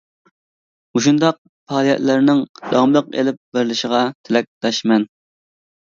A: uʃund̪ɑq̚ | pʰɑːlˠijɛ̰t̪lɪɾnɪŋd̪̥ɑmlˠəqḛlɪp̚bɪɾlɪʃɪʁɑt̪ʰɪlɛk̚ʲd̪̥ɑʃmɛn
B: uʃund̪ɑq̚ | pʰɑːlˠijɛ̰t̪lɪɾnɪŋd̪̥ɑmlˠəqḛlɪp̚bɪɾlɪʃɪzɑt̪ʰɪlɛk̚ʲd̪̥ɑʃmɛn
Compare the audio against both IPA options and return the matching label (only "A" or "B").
A